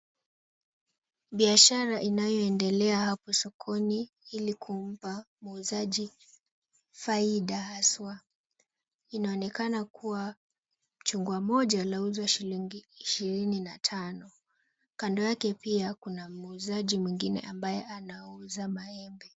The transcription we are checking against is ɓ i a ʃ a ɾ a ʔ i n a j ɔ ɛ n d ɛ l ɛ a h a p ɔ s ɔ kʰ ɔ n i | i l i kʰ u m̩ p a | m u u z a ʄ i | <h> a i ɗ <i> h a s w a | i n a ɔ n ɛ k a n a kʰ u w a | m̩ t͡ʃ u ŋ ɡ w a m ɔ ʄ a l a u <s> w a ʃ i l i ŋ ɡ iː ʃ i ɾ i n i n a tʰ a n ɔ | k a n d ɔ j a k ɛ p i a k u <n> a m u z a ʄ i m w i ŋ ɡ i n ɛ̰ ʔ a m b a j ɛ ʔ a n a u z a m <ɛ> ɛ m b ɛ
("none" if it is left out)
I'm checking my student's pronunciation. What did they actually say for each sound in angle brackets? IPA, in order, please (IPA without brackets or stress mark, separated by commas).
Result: f, a, z, n, a